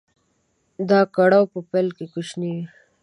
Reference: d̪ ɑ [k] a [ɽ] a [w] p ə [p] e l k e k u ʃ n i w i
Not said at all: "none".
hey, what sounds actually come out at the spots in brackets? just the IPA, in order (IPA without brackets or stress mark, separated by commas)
k, ɽ, w, p